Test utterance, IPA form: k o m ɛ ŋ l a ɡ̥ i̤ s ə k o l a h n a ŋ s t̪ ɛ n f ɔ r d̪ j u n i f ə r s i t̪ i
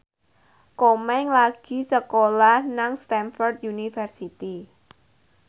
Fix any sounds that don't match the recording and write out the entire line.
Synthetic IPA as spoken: k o m ɛ ŋ l a ɡ̥ i̤ s ə k o l a h n a ŋ s t̪ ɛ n f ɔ r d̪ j u n i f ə r s i t̪ i